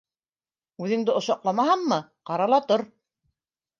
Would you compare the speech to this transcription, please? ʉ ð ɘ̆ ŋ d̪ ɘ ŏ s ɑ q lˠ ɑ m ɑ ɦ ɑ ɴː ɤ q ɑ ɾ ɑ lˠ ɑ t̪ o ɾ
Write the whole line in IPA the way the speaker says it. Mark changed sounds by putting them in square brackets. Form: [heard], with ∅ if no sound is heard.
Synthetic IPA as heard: ʉ ð ɘ̆ ŋ d̪ ɘ ŏ [ʃ] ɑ q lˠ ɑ m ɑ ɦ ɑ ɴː ɤ q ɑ ɾ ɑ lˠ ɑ t̪ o ɾ